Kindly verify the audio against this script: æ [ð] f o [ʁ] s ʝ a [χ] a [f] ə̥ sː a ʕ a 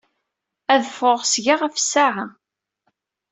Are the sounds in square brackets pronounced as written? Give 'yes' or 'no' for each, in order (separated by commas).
yes, yes, no, yes